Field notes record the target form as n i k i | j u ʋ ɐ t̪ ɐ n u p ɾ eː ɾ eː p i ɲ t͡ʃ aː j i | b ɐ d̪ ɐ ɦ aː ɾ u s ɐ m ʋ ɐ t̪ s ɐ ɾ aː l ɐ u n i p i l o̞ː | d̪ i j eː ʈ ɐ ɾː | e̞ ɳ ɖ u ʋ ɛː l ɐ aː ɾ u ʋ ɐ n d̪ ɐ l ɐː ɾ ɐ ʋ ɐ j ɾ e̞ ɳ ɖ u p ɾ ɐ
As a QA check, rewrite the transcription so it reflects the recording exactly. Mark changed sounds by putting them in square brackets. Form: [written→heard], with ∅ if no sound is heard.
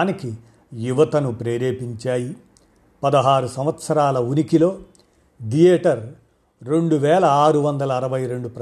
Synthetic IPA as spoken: n i k i | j u ʋ ɐ t̪ ɐ n u p ɾ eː ɾ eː p i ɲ t͡ʃ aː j i | [b→p] ɐ d̪ ɐ ɦ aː ɾ u s ɐ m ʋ ɐ t̪ s ɐ ɾ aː l ɐ u n i [p→k] i l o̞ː | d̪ i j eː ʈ ɐ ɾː | e̞ ɳ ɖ u ʋ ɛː l ɐ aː ɾ u ʋ ɐ n d̪ ɐ l ɐː ɾ ɐ ʋ ɐ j ɾ e̞ ɳ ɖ u p ɾ ɐ